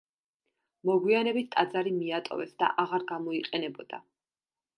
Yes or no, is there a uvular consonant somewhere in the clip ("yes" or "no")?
yes